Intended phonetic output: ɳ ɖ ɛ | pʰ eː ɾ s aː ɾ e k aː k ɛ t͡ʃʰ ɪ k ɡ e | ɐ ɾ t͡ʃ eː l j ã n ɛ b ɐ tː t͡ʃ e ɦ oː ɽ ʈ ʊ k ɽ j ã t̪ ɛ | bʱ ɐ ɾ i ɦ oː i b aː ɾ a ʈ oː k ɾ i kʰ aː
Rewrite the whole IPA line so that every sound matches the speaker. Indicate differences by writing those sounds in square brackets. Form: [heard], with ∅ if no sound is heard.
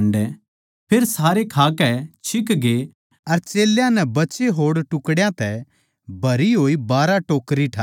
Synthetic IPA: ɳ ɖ ɛ | pʰ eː ɾ s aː ɾ e [kʰ] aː k ɛ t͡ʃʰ ɪ k ɡ e | ɐ ɾ t͡ʃ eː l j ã n ɛ b ɐ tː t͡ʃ e ɦ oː ɽ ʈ ʊ k ɽ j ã t̪ ɛ | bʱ ɐ ɾ i ɦ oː i b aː ɾ a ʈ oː k ɾ i [ʈʰ] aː